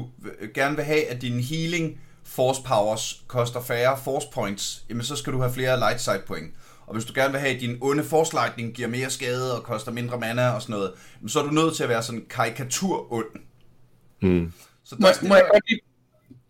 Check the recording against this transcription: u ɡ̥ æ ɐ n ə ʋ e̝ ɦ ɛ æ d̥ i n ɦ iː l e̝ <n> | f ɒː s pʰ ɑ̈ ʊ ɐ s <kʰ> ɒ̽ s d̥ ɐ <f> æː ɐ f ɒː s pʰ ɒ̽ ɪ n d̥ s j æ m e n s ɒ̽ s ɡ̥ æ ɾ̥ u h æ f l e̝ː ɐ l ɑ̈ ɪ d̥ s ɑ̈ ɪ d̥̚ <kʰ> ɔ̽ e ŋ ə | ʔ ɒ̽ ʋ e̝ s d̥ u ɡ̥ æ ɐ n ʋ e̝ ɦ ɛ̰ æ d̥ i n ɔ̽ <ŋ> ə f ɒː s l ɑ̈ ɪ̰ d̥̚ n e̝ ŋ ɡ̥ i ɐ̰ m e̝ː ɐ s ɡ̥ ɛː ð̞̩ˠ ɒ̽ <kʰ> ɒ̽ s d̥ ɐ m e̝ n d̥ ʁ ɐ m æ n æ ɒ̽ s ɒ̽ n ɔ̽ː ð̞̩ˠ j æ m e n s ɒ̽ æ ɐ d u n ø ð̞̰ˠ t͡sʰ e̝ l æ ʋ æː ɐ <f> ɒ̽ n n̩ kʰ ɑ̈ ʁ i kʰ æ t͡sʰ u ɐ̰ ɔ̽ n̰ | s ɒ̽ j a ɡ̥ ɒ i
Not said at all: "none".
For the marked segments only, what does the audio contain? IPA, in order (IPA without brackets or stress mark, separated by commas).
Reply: ŋ, kʰ, f, pʰ, n, kʰ, s